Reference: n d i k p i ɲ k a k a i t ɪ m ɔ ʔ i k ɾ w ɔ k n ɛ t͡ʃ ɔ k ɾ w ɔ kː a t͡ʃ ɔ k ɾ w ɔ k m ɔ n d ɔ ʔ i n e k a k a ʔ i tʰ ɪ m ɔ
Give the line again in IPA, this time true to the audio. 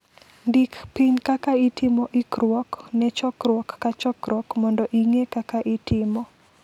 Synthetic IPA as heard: n d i k p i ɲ k a k a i t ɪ m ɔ ʔ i k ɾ w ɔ k n ɛ t͡ʃ ɔ k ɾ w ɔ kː a t͡ʃ ɔ k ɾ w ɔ k m ɔ n d ɔ ʔ i ŋ e k a k a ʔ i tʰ ɪ m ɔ